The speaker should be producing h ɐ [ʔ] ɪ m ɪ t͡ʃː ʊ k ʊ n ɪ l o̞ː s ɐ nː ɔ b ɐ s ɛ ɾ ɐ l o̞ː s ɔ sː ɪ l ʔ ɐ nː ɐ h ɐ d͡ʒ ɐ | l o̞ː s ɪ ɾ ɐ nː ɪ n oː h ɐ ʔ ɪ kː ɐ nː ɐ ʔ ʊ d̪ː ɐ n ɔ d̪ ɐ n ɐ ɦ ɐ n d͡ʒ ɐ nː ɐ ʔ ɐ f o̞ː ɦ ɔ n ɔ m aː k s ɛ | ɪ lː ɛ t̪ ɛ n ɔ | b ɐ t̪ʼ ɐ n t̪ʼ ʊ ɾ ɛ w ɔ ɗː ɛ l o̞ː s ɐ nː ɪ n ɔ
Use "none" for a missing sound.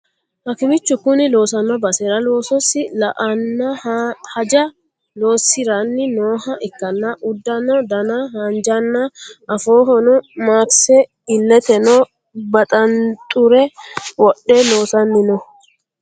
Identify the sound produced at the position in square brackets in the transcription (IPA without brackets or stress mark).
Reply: k